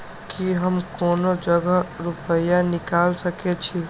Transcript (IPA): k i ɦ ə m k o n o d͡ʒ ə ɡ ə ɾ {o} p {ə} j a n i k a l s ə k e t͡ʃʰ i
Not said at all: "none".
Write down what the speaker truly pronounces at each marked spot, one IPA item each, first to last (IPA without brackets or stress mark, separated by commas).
u, ə